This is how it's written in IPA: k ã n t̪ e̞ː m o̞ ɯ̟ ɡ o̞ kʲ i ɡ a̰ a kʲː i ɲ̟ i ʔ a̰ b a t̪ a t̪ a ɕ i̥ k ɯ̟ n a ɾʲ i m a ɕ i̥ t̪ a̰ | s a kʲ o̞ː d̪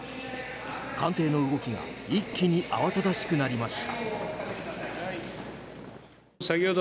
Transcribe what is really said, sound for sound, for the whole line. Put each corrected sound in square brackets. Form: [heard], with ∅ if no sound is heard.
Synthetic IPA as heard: k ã n t̪ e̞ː [n] o̞ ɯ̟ ɡ o̞ kʲ i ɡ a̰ [i] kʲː i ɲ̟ i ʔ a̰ [β] a t̪ a [d̪] a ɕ i̥ k ɯ̟ n a ɾʲ i m a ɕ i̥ t̪ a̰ | s a kʲ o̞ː d̪

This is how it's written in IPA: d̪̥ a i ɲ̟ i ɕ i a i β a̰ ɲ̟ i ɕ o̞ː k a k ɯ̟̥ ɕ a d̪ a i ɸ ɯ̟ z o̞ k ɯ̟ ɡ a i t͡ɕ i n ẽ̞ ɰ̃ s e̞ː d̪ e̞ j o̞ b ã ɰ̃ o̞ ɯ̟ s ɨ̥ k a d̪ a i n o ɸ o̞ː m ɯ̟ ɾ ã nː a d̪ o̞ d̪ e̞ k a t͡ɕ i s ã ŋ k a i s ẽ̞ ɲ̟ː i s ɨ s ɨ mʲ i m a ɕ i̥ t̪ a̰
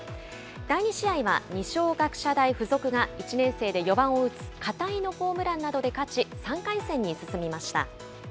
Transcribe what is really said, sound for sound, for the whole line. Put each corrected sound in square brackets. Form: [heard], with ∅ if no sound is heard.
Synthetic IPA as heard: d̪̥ a i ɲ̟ i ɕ i a i β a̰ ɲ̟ i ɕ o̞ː [ɡ] a k ɯ̟̥ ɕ a d̪ a i ɸ ɯ̟ z o̞ k ɯ̟ ɡ a i t͡ɕ i n ẽ̞ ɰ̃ s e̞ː d̪ e̞ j o̞ b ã ɰ̃ o̞ ɯ̟ [t͡s] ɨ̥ k a [t̪] a i n o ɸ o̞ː m ɯ̟ ɾ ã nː a d̪ o̞ d̪ e̞ k a t͡ɕ i s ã ŋ k a i s ẽ̞ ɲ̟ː i s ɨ s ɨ mʲ i m a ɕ i̥ t̪ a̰

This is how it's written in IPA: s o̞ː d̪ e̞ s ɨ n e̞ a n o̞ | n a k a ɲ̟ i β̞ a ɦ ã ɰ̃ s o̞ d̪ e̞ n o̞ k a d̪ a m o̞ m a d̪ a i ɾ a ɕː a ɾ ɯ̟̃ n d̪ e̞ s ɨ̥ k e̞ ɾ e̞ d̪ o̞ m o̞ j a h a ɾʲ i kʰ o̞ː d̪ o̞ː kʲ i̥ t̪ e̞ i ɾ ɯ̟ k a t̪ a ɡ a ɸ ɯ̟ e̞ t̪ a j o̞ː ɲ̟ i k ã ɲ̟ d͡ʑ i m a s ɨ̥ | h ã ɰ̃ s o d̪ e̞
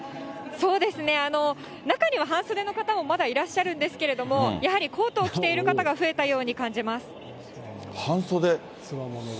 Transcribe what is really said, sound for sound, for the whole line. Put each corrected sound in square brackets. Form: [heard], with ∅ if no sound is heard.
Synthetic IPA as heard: s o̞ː d̪ e̞ s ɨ n e̞ a n o̞ | n a k a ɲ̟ i β̞ a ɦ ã ɰ̃ s o̞ d̪ e̞ n o̞ k a [t̪] a m o̞ m a d̪ a i ɾ a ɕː a ɾ ɯ̟̃ n d̪ e̞ s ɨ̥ k e̞ ɾ e̞ d̪ o̞ m o̞ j a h a ɾʲ i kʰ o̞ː [t̪] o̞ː kʲ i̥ t̪ e̞ i ɾ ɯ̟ k a t̪ a ɡ a ɸ ɯ̟ e̞ t̪ a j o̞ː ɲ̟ i k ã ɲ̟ d͡ʑ i m a s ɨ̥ | h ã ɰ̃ s o d̪ e̞

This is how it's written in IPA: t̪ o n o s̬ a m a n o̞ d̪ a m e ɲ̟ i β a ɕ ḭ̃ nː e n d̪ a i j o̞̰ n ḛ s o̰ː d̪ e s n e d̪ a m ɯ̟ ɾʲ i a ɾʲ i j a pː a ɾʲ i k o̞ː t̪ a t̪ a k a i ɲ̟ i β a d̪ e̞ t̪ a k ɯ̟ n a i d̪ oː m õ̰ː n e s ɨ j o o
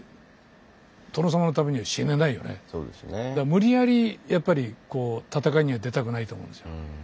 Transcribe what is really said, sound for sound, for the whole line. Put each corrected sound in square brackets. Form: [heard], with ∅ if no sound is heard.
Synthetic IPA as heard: t̪ o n o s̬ a m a n o̞ [t̪] a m e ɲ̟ i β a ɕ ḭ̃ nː e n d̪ a i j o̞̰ n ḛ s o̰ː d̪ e s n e d̪ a m ɯ̟ ɾʲ i a ɾʲ i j a pː a ɾʲ i k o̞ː t̪ a t̪ a k a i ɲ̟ i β a d̪ e̞ t̪ a k ɯ̟ n a i [t̪] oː m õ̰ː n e s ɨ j o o

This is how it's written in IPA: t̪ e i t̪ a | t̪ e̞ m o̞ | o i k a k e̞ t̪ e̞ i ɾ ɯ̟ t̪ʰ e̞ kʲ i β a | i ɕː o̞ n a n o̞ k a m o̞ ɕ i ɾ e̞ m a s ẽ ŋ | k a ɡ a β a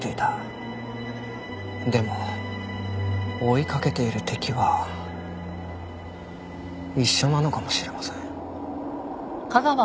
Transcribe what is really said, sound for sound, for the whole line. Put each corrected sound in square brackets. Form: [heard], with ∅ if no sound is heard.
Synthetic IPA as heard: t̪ e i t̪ a | [d̪] e̞ m o̞ | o i k a k e̞ t̪ e̞ i ɾ ɯ̟ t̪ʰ e̞ kʲ i β a | i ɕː o̞ n a n o̞ k a m o̞ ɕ i ɾ e̞ m a s ẽ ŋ | k a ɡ a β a

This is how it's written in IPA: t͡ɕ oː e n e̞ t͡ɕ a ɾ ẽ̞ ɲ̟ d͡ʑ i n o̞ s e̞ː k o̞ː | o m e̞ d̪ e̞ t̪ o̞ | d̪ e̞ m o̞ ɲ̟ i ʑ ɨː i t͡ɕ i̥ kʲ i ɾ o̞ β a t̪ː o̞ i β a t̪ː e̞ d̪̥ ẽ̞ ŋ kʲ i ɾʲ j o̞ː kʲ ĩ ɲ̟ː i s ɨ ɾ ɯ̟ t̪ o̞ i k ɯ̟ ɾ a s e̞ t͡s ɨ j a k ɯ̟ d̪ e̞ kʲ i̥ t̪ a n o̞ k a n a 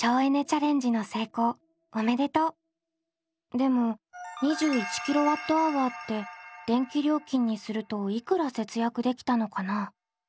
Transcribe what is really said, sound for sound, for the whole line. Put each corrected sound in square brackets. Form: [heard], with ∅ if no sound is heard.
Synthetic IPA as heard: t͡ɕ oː e n e̞ t͡ɕ a ɾ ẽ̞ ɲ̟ d͡ʑ i n o̞ s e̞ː k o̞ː | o m e̞ d̪ e̞ t̪ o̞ | d̪ e̞ m o̞ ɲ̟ i ʑ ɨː i t͡ɕ i̥ kʲ i ɾ o̞ β a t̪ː o̞ [a] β a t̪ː e̞ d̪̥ ẽ̞ ŋ kʲ i ɾʲ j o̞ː kʲ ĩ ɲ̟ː i s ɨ ɾ ɯ̟ t̪ o̞ i k ɯ̟ ɾ a s e̞ t͡s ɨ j a k ɯ̟ d̪ e̞ kʲ i̥ t̪ a n o̞ k a n a

